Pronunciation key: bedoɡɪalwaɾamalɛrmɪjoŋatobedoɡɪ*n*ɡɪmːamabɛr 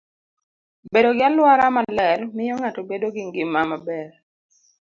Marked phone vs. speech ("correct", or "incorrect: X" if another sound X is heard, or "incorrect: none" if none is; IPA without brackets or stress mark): incorrect: ŋ